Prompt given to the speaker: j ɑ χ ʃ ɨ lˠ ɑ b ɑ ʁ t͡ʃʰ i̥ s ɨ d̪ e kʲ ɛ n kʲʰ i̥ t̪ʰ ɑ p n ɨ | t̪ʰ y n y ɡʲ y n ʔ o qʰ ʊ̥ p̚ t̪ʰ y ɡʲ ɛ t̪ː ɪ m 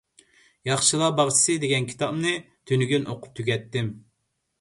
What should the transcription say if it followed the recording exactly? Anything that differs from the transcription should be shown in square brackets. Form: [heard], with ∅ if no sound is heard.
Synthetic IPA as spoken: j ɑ χ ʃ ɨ lˠ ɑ b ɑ ʁ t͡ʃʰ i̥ s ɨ d̪ e [ɡʲ] ɛ n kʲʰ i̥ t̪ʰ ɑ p n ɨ | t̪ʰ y n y ɡʲ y n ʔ o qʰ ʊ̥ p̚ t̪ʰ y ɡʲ ɛ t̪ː ɪ m